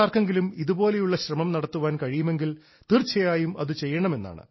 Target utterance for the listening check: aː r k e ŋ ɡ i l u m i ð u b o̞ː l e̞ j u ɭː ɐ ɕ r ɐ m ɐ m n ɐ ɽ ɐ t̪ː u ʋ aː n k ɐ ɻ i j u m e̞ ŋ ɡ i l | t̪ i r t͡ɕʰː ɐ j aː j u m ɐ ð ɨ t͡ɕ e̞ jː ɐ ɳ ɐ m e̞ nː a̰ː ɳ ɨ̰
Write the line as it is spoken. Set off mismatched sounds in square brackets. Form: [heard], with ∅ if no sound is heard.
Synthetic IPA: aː r k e ŋ ɡ i l u m i ð u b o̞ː l e̞ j u ɭː ɐ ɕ r ɐ m ɐ m n ɐ ɽ ɐ t̪ː u ʋ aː n k ɐ ɻ i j u m e̞ ŋ ɡ i l | t̪ i r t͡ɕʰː ɐ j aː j u m ɐ ð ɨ t͡ɕ e̞ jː ɐ ɳ ɐ m e̞ nː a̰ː ɳ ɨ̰